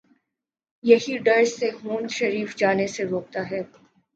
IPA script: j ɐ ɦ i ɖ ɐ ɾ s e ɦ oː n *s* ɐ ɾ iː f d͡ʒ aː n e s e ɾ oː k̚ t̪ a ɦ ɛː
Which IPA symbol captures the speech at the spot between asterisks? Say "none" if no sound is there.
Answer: ʃ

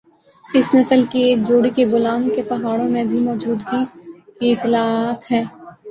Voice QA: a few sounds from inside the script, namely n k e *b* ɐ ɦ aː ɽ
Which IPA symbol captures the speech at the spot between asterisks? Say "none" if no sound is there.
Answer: p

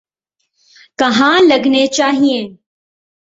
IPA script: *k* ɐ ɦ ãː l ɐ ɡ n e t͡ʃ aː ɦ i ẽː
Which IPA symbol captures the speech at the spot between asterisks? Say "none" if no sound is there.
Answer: k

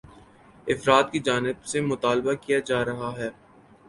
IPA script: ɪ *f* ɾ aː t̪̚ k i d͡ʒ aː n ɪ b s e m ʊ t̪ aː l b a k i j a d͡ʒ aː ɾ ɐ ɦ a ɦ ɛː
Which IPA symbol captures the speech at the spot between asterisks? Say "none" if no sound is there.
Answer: f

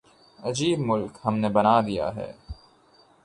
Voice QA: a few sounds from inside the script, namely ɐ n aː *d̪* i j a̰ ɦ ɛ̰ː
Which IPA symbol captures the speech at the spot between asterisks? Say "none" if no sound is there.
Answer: d̪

